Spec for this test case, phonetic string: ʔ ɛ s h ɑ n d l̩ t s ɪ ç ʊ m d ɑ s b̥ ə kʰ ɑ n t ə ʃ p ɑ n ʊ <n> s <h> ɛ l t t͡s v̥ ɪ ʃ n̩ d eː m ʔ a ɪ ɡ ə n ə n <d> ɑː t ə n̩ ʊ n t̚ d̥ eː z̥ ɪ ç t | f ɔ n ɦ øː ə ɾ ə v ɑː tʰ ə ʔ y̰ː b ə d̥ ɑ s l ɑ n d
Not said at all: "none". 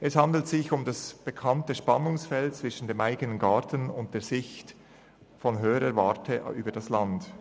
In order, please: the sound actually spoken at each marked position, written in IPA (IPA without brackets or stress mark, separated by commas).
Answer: ŋ, f, ɡ